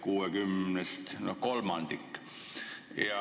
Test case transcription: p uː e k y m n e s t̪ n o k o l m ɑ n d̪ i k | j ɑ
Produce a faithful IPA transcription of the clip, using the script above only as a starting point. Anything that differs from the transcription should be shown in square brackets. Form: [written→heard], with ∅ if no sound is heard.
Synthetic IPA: [p→k] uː e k y m n e s t̪ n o k o l m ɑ n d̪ i k | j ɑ